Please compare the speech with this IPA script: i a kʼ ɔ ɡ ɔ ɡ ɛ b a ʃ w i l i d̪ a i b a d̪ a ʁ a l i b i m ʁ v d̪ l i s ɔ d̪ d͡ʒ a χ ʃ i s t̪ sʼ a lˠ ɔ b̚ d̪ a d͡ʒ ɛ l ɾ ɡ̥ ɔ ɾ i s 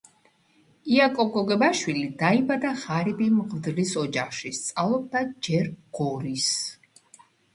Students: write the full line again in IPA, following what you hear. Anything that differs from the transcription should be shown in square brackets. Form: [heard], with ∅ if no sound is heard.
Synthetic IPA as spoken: i a kʼ ɔ ɡ ɔ ɡ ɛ b a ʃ w i l i d̪ a i b a d̪ a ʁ a [ɾ] i b i m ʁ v d̪ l i s ɔ [∅] d͡ʒ a χ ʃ i s t̪ sʼ a lˠ ɔ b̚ d̪ a d͡ʒ ɛ [∅] ɾ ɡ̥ ɔ ɾ i s